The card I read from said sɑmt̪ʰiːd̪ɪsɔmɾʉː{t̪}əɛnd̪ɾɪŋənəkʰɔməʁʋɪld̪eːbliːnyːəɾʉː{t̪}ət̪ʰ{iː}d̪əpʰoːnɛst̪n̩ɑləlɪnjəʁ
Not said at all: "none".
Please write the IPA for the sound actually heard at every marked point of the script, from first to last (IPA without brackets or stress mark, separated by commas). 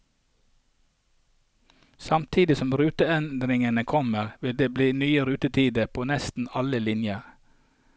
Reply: t̪, t̪, iː